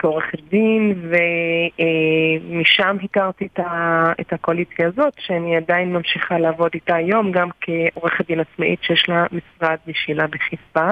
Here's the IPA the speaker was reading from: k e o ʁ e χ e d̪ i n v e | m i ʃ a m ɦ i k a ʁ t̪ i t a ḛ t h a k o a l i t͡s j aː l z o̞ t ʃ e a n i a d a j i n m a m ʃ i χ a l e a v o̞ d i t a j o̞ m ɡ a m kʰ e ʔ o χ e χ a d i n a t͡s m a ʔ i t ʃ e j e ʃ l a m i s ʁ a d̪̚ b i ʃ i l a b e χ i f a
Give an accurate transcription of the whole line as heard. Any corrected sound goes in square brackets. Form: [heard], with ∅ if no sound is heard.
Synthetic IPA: k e o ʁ e χ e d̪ i n v e | m i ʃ a m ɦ i k a ʁ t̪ i t a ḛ t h a k o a l i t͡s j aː [∅] z o̞ t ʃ e a n i a d a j i n m a m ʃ i χ a l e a v o̞ d i t a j o̞ m ɡ a m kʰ e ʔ o [ʁ] e χ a d i n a t͡s m a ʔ i t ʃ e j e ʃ l a m i s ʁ a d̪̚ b i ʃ i l a b e χ i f a